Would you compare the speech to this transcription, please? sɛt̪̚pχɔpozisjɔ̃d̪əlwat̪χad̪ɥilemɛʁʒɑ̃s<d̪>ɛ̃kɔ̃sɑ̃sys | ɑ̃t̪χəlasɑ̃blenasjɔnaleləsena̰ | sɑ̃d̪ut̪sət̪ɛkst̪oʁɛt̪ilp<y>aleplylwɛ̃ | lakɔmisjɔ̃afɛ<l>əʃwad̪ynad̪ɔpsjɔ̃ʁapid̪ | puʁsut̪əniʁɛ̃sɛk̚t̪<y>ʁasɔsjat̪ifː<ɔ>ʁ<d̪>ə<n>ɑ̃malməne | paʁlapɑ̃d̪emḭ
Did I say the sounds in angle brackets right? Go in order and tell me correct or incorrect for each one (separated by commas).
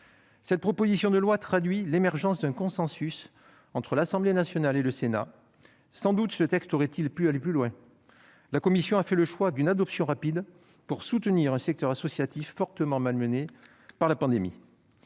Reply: correct, correct, correct, incorrect, correct, incorrect, incorrect